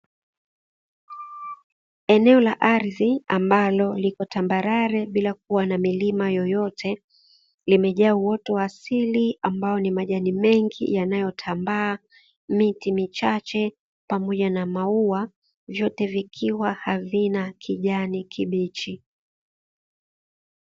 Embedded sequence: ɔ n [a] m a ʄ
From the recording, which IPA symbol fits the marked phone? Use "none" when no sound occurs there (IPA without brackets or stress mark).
i